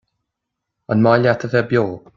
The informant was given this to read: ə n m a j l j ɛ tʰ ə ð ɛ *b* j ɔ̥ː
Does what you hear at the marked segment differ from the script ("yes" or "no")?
no